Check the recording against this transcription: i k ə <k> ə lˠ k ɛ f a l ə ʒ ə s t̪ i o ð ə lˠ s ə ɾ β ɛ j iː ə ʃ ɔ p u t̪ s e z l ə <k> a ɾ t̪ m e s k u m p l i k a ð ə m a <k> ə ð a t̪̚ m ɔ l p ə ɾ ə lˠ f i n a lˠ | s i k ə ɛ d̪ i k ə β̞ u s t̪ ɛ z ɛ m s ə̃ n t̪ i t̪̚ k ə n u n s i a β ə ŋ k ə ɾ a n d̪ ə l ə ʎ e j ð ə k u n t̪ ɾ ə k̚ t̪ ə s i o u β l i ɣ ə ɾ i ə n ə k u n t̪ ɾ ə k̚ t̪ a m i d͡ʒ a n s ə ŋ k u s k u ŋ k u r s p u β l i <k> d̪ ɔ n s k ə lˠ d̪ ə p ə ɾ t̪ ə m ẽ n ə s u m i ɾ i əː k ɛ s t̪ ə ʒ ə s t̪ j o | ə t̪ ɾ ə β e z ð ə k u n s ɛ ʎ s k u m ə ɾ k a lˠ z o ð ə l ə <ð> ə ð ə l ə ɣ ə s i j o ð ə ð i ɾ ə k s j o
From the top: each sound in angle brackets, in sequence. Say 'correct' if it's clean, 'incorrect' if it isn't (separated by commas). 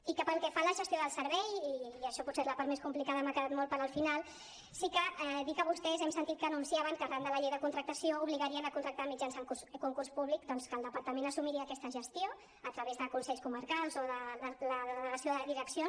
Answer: incorrect, incorrect, correct, correct, correct